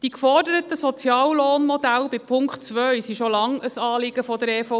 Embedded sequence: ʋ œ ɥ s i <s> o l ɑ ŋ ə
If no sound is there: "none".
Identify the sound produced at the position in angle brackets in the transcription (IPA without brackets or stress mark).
ʃ